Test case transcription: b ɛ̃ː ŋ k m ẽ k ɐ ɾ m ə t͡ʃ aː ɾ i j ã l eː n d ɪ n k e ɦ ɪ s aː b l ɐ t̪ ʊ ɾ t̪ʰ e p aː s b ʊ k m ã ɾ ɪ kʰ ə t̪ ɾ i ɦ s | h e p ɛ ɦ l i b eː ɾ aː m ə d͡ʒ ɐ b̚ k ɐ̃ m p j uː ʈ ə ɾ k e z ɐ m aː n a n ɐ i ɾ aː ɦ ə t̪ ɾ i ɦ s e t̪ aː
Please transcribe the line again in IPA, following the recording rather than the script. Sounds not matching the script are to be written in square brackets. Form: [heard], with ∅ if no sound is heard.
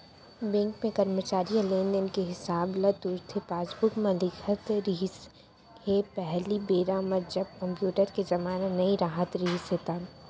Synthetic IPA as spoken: b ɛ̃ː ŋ k m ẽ k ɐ ɾ m ə t͡ʃ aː ɾ i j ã l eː n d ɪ n k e ɦ ɪ s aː b l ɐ t̪ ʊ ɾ t̪ʰ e p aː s b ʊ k m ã [l] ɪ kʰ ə t̪ ɾ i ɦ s | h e p ɛ ɦ l i b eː ɾ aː m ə d͡ʒ ɐ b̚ k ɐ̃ m p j uː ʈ ə ɾ k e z ɐ m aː n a n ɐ i ɾ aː ɦ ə t̪ ɾ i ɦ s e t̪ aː